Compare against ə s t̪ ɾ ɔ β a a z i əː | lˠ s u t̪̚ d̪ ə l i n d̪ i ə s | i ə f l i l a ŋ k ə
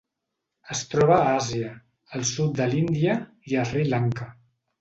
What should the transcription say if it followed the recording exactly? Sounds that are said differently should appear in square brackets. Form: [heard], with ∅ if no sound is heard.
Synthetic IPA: ə s t̪ ɾ ɔ β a a z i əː | lˠ s u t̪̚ d̪ ə l i n d̪ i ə [∅] | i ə f [r] i l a ŋ k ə